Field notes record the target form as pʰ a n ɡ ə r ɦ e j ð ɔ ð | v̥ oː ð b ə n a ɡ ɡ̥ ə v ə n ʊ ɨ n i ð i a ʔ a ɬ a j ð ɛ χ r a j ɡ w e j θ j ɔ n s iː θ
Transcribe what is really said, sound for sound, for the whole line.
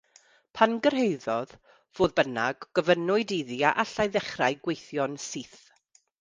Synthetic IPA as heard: pʰ a n ɡ ə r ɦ e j ð ɔ ð | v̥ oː ð b ə n a ɡ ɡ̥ ə v ə n ʊ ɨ d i ð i a ʔ a ɬ a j ð ɛ χ r a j ɡ w e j θ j ɔ n s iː θ